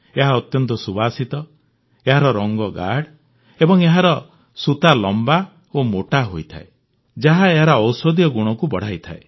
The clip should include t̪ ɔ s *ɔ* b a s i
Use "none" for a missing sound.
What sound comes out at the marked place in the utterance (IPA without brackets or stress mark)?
u